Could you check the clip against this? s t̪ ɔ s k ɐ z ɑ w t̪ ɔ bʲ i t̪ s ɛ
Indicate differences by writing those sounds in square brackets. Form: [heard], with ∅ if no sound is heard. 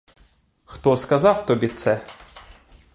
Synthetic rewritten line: [x] t̪ ɔ s k ɐ z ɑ w t̪ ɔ bʲ i t̪ s ɛ

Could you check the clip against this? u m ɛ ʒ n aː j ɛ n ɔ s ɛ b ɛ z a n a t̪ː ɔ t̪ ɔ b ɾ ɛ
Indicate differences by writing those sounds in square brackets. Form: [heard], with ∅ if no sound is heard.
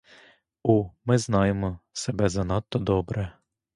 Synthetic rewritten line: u m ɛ [z] n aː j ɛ [m] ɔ s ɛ b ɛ z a n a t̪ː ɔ [d̪] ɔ b ɾ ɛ

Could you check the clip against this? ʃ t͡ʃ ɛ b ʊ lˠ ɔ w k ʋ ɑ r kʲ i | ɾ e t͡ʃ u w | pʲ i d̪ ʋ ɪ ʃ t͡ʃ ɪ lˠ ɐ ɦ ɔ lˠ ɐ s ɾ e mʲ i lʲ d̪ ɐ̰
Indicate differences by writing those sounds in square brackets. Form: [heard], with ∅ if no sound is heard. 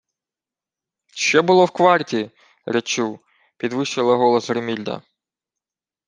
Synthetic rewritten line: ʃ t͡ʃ ɛ b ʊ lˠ ɔ w k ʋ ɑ r [tʲ] i | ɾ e t͡ʃ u w | pʲ i d̪ ʋ ɪ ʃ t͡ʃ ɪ lˠ ɐ ɦ ɔ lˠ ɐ s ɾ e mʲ i lʲ d̪ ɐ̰

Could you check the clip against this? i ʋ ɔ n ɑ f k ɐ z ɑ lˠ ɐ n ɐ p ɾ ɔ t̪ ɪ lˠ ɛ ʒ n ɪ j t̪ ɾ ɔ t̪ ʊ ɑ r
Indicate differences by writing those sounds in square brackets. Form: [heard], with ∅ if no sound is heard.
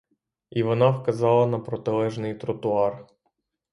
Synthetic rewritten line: i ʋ ɔ n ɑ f k ɐ z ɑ lˠ ɐ n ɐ p ɾ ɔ t̪ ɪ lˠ ɛ ʒ n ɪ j t̪ ɾ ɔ t̪ ʊ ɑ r

